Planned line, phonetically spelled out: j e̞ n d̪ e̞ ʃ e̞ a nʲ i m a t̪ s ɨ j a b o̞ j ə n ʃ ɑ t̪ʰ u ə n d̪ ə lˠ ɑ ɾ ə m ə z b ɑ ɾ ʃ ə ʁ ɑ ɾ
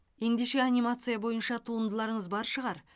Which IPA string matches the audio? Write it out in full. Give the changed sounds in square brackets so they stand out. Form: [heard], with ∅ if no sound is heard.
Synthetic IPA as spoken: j e̞ n d̪ e̞ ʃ e̞ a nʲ i m a t̪ s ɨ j a b o̞ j ə n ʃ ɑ t̪ʰ u ə n d̪ ə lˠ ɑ ɾ ə [ɴ] ə z b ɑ ɾ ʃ ə ʁ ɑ ɾ